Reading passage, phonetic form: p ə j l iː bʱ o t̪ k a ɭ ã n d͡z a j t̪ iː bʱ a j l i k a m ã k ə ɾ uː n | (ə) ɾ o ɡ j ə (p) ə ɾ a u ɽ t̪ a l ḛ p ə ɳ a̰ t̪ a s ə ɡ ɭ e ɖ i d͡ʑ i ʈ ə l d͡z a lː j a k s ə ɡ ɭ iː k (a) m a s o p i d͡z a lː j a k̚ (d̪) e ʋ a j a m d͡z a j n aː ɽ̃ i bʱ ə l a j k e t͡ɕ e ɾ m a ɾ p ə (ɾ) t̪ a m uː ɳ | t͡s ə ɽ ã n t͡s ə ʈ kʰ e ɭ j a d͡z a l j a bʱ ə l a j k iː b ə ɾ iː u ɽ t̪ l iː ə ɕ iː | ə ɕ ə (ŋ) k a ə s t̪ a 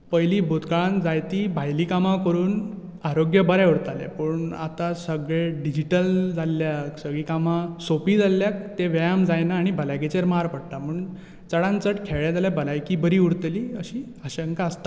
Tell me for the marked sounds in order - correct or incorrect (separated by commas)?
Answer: incorrect, incorrect, correct, incorrect, incorrect, correct